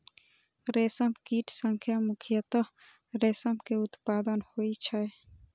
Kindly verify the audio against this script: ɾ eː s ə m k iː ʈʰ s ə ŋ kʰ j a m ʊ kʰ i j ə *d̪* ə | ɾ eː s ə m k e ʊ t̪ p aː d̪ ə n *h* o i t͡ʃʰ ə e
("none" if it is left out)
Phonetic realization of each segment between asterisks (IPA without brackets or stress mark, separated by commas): t̪, h